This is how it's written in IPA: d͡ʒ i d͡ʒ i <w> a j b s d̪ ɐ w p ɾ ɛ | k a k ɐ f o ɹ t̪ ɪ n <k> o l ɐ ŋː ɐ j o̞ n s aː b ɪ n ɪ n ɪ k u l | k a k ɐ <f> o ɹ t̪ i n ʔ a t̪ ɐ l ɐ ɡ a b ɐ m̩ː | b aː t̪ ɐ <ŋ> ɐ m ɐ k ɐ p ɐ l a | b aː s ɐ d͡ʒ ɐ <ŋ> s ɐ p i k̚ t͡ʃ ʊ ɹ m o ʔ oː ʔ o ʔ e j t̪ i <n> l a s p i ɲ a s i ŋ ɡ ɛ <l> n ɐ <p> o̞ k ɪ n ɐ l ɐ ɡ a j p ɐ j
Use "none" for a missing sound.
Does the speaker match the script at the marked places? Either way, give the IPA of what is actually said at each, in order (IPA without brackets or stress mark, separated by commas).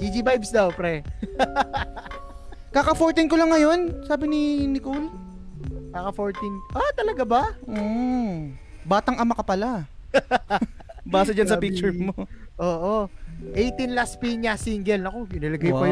b, k, f, ŋ, n, n, l, k